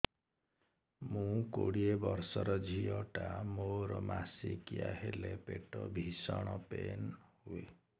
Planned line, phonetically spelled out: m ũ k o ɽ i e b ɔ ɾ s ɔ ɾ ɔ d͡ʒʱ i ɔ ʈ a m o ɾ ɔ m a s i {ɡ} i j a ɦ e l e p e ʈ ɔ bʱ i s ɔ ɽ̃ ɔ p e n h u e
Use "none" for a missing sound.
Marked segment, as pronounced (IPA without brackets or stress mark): k